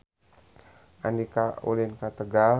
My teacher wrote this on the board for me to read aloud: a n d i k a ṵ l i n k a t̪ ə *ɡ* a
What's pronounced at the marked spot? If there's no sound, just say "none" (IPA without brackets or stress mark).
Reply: ɡ